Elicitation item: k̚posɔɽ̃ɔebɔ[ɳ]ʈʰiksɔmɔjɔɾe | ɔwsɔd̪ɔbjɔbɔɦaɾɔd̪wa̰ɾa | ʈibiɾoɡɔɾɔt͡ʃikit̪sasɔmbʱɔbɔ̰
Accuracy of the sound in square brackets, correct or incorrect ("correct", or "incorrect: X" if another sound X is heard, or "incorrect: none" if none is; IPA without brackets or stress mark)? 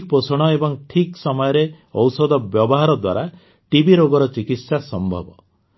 incorrect: ŋ